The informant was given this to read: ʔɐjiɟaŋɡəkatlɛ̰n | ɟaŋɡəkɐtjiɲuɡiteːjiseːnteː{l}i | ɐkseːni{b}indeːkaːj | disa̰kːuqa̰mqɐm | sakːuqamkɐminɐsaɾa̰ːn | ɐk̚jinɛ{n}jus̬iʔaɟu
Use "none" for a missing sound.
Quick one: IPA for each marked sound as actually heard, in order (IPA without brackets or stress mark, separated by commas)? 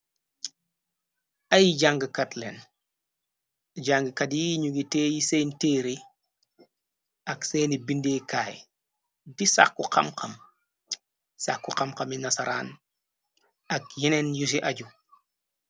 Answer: ɾ, b, n